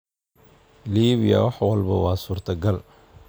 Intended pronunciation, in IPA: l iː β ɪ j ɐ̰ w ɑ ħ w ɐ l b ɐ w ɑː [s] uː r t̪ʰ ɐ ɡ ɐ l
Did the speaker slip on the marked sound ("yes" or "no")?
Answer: no